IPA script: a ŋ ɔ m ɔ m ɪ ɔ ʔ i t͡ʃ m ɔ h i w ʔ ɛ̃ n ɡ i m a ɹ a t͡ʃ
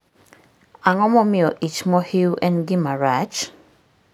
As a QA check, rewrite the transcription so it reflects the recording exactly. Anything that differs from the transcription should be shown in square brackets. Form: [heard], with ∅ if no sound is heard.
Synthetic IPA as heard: a ŋ ɔ m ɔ m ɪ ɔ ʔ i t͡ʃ m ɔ h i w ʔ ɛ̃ n ɡ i m a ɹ a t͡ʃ

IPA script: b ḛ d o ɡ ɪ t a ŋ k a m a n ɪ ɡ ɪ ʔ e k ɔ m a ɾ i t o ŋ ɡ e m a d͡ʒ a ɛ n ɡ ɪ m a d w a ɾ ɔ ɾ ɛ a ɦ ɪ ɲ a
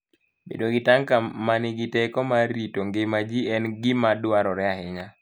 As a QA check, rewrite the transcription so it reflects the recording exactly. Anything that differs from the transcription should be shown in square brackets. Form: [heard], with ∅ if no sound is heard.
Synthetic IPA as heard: b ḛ d o ɡ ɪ t a ŋ k a m a n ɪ ɡ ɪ [t] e k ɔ m a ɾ i t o ŋ ɡ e m a d͡ʒ [i] ɛ n ɡ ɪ m a d w a ɾ ɔ ɾ ɛ a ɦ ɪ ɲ a

